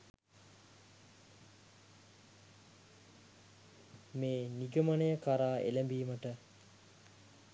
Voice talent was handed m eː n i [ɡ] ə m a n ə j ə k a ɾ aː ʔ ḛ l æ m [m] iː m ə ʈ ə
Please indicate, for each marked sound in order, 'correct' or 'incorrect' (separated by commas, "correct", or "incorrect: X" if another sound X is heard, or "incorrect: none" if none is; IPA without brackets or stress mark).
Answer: correct, incorrect: b